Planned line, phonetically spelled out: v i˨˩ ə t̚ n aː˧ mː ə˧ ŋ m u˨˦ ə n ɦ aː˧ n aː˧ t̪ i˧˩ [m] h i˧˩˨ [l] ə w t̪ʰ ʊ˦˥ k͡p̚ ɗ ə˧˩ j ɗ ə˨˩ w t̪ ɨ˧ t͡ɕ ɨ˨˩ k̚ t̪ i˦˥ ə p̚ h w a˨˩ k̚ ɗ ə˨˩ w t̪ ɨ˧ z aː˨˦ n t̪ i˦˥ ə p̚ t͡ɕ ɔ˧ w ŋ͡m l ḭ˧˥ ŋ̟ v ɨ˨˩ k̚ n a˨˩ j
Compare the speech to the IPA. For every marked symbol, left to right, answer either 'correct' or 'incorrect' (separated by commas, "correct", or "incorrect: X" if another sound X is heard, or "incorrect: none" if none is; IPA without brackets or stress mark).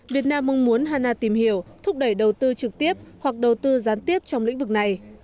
correct, incorrect: none